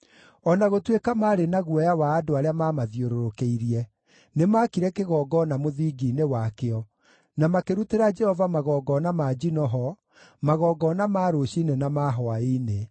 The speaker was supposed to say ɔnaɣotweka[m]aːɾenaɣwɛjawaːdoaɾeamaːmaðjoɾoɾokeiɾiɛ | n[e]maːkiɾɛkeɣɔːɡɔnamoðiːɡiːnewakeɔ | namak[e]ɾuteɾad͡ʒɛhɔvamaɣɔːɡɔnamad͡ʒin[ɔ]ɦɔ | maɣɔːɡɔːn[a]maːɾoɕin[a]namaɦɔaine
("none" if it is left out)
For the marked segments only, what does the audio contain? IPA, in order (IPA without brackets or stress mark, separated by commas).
m, e, e, ɔ, a, e